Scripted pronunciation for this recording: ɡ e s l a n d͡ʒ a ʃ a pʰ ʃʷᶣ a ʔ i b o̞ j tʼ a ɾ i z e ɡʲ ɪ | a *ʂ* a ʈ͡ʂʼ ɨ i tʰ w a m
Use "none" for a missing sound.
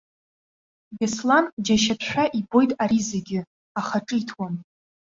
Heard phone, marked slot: χ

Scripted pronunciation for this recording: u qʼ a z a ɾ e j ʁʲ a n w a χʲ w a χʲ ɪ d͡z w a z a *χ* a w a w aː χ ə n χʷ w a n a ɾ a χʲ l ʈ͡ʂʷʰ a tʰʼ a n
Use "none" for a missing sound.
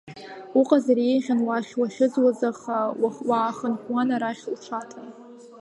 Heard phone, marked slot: χ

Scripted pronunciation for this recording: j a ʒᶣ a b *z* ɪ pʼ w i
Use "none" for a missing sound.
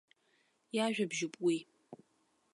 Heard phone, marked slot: ʒ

